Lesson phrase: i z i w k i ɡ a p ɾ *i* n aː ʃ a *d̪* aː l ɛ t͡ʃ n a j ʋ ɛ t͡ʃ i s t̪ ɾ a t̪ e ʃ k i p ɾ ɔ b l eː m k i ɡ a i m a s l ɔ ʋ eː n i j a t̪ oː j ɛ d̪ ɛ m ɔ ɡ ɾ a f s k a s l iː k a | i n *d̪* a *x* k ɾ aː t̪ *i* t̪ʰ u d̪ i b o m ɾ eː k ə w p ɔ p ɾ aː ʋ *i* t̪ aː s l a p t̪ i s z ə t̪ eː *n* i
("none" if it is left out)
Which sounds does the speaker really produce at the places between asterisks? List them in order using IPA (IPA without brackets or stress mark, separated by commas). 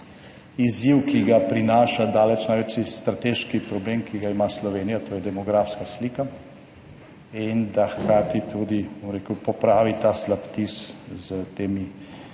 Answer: i, d̪, d̪, x, i, i, m